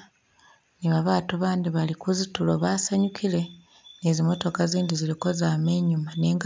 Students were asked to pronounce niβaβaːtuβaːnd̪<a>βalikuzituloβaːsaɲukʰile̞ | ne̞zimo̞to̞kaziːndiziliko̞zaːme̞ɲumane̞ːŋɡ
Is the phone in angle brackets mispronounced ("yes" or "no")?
yes